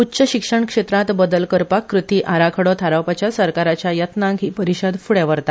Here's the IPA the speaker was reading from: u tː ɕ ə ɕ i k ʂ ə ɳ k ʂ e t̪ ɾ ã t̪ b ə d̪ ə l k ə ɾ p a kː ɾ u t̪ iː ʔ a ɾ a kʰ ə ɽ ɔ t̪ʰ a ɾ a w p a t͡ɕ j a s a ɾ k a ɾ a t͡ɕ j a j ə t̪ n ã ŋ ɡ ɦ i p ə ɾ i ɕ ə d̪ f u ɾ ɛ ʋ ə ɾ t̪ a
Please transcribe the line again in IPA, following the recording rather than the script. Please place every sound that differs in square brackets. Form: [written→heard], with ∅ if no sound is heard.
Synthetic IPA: u tː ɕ ə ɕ i k ʂ ə ɳ k ʂ e t̪ ɾ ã t̪ b ə d̪ ə l k ə ɾ p a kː ɾ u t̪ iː ʔ a ɾ a kʰ ə ɽ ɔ t̪ʰ a ɾ a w p a t͡ɕ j a s [a→ə] ɾ k a ɾ a t͡ɕ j a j ə t̪ n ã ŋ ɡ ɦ i p ə ɾ i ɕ ə d̪ f u [ɾ→ɽ] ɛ ʋ ə ɾ t̪ a